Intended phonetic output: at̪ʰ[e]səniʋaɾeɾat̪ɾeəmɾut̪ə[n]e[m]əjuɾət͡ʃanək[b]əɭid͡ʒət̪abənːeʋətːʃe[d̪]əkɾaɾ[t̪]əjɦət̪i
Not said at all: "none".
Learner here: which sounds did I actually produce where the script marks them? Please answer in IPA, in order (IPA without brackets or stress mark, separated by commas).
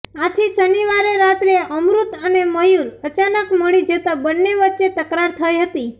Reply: i, n, m, m, t̪, t̪ʰ